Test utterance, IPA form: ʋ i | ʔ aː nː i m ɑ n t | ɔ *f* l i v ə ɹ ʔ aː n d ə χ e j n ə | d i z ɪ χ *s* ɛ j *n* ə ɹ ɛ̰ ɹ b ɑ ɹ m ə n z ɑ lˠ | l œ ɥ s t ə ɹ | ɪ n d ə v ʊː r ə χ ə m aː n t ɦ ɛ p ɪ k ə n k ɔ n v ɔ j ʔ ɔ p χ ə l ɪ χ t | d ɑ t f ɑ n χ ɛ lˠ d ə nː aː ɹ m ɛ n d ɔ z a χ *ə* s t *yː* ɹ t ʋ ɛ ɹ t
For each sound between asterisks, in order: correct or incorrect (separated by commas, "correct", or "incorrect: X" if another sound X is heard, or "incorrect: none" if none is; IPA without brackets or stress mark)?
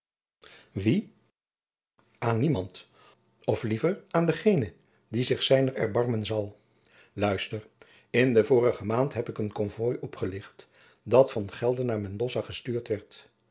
correct, correct, correct, correct, correct